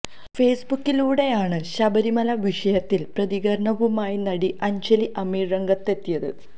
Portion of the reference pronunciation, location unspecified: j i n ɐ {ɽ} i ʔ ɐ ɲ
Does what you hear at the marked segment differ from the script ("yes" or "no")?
no